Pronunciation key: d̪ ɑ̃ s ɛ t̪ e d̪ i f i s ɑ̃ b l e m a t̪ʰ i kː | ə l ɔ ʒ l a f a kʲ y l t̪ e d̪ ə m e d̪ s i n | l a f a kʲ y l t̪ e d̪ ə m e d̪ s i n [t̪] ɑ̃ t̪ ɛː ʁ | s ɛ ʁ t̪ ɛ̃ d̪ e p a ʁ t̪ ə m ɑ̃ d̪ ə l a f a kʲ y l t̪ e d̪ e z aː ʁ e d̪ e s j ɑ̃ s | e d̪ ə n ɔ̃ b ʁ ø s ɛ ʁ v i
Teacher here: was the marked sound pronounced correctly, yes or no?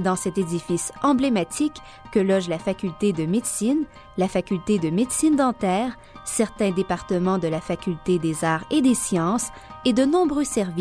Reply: no